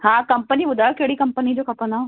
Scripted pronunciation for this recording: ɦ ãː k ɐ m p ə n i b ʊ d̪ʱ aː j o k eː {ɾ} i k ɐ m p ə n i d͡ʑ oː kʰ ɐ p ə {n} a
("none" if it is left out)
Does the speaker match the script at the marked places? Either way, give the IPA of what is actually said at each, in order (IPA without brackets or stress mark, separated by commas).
ɽ, n